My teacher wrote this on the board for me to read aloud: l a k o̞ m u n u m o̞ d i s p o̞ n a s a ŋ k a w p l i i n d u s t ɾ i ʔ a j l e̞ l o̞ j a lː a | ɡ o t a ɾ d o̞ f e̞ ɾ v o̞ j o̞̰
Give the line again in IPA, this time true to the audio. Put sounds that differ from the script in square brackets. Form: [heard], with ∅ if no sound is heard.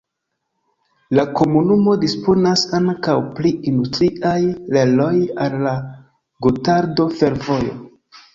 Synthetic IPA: l a k o̞ m u n u m o̞ d i s p o̞ n a s a ŋ k a w p l i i n d u s t ɾ i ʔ a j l e̞ l o̞ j a lː a | ɡ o t a ɾ d o̞ f e̞ ɾ v o̞ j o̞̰

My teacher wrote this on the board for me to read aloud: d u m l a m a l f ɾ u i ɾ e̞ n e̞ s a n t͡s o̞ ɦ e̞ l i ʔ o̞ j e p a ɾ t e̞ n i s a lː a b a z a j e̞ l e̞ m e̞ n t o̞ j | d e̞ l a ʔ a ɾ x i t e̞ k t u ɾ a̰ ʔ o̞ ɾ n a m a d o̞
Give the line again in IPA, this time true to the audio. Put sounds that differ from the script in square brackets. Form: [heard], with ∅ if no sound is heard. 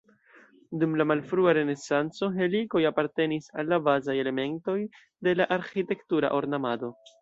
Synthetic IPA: d u m l a m a l f ɾ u [a] ɾ e̞ n e̞ s a n t͡s o̞ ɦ e̞ l i [k] o̞ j [a] p a ɾ t e̞ n i s a lː a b a z a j e̞ l e̞ m e̞ n t o̞ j | d e̞ l a ʔ a ɾ x i t e̞ k t u ɾ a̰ ʔ o̞ ɾ n a m a d o̞

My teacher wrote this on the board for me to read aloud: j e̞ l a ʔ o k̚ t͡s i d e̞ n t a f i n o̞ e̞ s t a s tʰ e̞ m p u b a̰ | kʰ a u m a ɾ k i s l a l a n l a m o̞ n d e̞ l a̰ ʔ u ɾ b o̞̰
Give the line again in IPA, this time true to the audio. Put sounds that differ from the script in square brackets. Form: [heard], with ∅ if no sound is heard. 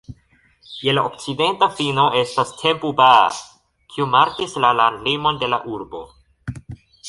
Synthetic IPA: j e̞ l a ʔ o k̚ t͡s i d e̞ n t a f i n o̞ e̞ s t a s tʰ e̞ m p u b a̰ | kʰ [i] u m a ɾ k i s l a l a n l [i] m o̞ n d e̞ l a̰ ʔ u ɾ b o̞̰

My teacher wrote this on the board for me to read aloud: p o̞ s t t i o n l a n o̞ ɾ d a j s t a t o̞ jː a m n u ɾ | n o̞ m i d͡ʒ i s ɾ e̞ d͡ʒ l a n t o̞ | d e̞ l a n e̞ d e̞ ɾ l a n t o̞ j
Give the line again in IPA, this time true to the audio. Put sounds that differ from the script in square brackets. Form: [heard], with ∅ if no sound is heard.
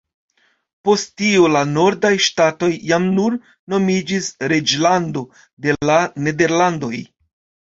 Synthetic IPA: p o̞ s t t i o [∅] l a n o̞ ɾ d a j [ʃ] t a t o̞ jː a m n u ɾ | n o̞ m i d͡ʒ i s ɾ e̞ d͡ʒ l a n [d] o̞ | d e̞ l a n e̞ d e̞ ɾ l a n [d] o̞ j

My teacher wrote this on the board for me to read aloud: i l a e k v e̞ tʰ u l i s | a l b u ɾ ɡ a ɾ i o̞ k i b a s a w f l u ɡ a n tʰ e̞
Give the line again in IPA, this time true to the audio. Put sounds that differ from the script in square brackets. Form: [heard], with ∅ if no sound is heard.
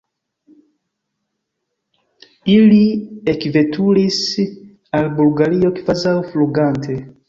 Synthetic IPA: i l [i] e k v e̞ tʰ u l i s | a l b u [l] ɡ a ɾ i o̞ k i [v] a [z] a w f l u ɡ a n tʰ e̞

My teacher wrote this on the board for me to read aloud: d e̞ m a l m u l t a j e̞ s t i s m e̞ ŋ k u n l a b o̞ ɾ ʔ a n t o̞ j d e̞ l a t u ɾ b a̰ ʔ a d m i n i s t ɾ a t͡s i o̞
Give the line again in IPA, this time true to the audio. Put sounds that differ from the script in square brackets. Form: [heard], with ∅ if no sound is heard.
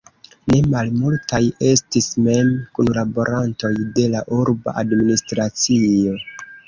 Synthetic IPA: [n] e̞ m a l m u l t a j e̞ s t i s m e̞ [m] k u n l a b o̞ ɾ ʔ a n t o̞ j d e̞ l a [ʔ] u ɾ b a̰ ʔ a d m i n i s t ɾ a t͡s i o̞

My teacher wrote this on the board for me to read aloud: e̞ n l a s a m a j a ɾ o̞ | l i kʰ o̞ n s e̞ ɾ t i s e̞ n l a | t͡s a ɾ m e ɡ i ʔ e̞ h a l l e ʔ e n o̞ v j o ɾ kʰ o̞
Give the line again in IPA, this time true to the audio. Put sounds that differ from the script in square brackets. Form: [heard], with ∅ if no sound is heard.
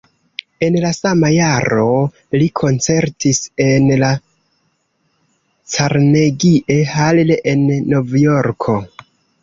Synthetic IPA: e̞ n l a s a m a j a ɾ o̞ | l i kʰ o̞ n [t͡s] e̞ ɾ t i s e̞ n l a | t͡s a ɾ [n] e ɡ i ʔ e̞ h a l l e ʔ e [nː] o̞ v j o ɾ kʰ o̞

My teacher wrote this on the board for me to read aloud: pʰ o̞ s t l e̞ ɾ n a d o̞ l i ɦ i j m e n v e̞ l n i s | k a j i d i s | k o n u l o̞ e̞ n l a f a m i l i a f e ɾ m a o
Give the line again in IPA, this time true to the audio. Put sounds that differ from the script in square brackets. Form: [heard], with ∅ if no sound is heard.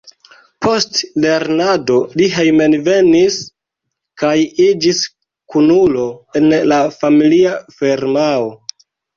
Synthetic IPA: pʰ o̞ s t l e̞ ɾ n a d o̞ l i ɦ [e] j m e n v e̞ [∅] n i s | k a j i [d͡ʒ] i s | k [u] n u l o̞ e̞ n l a f a m i l i a f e ɾ m a o

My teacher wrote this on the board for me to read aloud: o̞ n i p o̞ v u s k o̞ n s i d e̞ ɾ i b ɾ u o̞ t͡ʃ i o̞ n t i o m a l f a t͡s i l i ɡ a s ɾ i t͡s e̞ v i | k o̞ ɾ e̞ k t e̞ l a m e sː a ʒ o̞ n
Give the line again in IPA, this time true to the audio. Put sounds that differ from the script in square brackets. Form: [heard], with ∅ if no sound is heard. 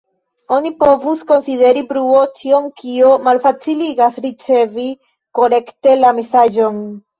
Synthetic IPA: o̞ n i p o̞ v u s k o̞ n s i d e̞ ɾ i b ɾ u o̞ t͡ʃ i o̞ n [k] i o m a l f a t͡s i l i ɡ a s ɾ i t͡s e̞ v i | k o̞ ɾ e̞ k t e̞ l a m e [s] a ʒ o̞ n

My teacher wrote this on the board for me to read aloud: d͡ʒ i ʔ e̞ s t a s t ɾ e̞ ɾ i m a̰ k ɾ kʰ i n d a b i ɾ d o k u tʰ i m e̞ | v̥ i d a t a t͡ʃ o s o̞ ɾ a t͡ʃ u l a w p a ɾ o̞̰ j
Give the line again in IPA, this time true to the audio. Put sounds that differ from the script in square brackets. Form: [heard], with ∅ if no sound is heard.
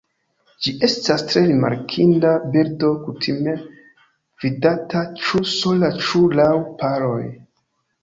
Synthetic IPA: d͡ʒ i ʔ e̞ s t a s t ɾ e̞ ɾ i m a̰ [∅] ɾ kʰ i n d a b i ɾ d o k u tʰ i m e̞ | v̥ i d a t a t͡ʃ [u] s o̞ [l] a t͡ʃ u l a w p a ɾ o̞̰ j

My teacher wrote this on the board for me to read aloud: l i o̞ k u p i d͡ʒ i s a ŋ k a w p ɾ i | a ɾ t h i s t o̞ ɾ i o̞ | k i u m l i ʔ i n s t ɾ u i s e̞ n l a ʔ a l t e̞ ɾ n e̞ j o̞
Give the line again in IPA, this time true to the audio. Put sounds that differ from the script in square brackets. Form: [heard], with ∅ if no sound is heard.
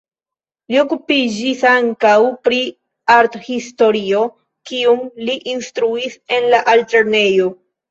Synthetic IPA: l i o̞ k u p i d͡ʒ i s a ŋ k a w p ɾ i | a ɾ t h i s t o̞ ɾ i o̞ | k i u m l i ʔ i n s t ɾ u i s e̞ n l a ʔ a l t e̞ ɾ n e̞ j o̞

